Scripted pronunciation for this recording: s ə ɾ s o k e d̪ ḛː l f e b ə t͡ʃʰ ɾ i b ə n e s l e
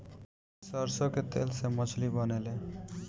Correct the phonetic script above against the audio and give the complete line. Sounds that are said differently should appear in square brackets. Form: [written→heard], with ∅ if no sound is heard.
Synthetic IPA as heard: s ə ɾ s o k e [d̪→t̪] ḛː l [f→s] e [b→m] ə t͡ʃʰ [ɾ→l] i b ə n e [s→∅] l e